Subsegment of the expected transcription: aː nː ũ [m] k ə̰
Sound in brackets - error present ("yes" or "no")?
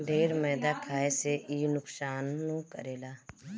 yes